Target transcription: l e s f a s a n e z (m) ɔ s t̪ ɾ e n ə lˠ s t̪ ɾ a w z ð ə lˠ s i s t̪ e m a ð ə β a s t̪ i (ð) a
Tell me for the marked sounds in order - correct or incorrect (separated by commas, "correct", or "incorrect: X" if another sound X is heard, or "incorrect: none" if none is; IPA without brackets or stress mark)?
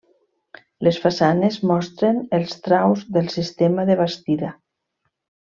correct, correct